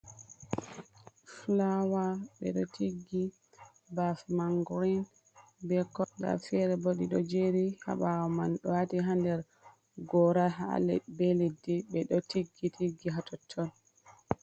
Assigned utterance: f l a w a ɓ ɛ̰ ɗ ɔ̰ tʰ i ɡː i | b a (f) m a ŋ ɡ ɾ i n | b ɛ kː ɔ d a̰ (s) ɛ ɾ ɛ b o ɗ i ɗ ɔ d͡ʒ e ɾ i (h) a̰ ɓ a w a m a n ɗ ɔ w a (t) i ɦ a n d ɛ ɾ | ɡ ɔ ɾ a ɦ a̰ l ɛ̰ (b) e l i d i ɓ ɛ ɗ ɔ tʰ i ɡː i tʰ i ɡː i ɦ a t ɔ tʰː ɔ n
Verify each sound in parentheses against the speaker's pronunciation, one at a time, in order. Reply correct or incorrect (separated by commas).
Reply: correct, incorrect, correct, correct, correct